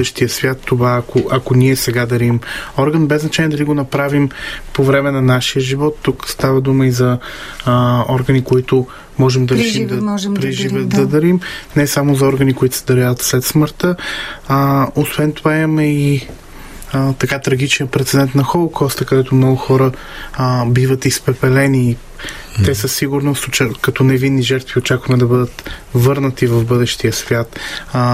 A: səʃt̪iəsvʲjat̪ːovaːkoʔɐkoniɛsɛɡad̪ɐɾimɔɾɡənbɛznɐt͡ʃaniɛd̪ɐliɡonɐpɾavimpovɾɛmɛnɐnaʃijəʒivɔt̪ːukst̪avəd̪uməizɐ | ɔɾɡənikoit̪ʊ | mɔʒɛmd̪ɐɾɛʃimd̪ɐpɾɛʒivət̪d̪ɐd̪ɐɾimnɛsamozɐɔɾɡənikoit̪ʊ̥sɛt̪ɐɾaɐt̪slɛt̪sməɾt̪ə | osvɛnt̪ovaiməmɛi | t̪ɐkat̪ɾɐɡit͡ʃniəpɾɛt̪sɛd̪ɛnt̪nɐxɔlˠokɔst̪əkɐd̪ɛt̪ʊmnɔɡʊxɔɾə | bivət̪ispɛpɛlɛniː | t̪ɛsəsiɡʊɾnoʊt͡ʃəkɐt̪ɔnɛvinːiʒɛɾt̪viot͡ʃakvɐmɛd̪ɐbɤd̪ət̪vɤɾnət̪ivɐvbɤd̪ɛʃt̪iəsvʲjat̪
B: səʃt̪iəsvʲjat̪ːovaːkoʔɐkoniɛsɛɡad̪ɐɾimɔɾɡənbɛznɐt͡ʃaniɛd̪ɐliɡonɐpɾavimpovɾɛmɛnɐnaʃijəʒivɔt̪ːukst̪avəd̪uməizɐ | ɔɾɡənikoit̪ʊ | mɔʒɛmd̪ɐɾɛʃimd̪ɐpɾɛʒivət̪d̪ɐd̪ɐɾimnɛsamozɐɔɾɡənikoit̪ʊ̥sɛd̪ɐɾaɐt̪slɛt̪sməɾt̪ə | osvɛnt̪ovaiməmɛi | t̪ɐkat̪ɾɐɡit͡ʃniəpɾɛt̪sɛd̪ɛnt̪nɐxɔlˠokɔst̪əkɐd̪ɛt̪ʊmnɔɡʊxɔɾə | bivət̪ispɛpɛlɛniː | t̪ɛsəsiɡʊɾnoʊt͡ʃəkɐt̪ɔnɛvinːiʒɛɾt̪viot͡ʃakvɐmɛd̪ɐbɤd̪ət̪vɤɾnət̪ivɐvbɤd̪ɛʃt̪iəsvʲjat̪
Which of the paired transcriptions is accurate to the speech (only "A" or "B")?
B